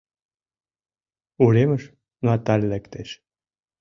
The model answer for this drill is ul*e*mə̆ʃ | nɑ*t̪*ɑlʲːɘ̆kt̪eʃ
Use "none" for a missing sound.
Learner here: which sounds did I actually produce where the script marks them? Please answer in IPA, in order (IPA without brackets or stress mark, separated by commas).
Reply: e, t̪